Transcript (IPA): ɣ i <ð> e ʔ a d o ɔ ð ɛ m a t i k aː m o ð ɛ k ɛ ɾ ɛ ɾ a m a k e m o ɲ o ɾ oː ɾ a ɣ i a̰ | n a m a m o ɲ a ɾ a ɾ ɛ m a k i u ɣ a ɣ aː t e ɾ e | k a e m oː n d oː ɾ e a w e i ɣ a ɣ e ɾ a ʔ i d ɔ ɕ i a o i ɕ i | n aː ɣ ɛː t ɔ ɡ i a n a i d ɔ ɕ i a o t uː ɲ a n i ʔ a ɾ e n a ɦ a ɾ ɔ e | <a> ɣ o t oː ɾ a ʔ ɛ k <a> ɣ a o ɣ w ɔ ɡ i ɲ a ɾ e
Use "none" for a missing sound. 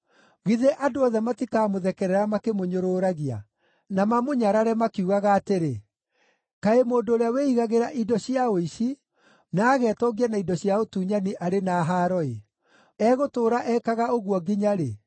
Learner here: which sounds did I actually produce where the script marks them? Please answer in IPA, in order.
ð, ɛ, a

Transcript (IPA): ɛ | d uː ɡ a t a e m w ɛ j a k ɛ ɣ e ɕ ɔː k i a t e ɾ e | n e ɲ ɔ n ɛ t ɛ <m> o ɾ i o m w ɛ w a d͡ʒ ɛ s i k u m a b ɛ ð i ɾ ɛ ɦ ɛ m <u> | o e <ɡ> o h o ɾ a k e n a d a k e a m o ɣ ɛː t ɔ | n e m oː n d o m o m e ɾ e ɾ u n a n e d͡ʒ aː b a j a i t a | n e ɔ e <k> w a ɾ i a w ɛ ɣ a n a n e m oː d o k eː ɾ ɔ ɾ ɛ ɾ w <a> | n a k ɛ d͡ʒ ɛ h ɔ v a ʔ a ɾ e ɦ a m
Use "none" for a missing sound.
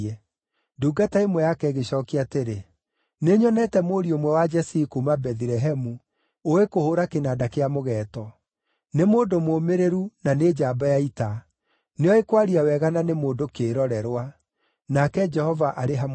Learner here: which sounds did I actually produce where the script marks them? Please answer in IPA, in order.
m, u, k, k, a

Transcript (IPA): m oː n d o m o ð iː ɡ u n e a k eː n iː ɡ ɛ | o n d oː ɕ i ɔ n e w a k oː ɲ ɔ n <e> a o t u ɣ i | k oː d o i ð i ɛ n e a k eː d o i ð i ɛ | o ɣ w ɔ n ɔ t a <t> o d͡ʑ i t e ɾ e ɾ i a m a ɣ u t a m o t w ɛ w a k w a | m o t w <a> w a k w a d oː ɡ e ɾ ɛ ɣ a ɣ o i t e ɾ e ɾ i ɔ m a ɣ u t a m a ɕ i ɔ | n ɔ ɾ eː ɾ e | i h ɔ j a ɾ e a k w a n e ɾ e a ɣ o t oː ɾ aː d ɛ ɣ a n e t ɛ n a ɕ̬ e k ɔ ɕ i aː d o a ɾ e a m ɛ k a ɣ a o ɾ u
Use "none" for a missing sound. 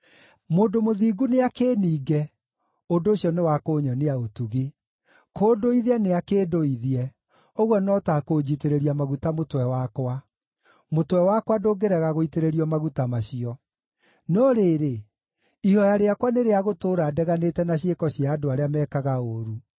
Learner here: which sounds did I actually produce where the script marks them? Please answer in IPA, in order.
e, k, ɛ

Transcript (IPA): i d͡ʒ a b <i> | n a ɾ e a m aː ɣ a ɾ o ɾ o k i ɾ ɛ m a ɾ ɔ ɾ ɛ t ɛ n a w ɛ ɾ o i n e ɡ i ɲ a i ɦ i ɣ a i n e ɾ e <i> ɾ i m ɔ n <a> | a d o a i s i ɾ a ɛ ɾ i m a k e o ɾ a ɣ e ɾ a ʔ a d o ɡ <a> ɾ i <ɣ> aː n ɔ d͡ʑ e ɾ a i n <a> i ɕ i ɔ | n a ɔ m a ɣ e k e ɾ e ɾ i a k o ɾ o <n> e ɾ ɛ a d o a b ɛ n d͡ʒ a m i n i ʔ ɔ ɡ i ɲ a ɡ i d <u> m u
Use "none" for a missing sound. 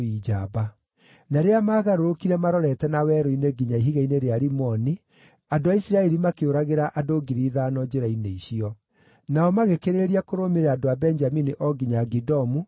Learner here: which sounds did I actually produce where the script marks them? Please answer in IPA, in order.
a, a, i, i, ð, e, m, ɔ

